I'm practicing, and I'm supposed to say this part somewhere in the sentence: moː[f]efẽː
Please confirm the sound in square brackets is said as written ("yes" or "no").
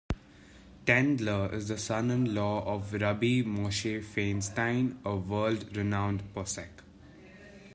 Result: no